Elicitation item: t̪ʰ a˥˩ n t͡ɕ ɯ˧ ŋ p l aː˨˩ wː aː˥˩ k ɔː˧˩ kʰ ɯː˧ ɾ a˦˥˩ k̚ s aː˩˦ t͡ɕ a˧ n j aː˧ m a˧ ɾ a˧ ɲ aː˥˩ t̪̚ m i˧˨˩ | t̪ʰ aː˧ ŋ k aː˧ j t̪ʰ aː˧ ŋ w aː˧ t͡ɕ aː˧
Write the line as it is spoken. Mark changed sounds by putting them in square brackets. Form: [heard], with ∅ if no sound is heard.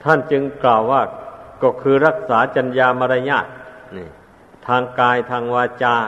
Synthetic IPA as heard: t̪ʰ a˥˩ n t͡ɕ ɯ˧ ŋ [k] l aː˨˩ wː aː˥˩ k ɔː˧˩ kʰ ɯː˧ ɾ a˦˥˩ k̚ s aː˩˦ t͡ɕ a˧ n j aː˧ m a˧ ɾ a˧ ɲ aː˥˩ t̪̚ [n] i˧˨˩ | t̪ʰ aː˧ ŋ k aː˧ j t̪ʰ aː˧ ŋ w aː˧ t͡ɕ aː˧